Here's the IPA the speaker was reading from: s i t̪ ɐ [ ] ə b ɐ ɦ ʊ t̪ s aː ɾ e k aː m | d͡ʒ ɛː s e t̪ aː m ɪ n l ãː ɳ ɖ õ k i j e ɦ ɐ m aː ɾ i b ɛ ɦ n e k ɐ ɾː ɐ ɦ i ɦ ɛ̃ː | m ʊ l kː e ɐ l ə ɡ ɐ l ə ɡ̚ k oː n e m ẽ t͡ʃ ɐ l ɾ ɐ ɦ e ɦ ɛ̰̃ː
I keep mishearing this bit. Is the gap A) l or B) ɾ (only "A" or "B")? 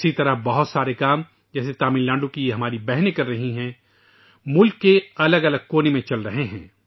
B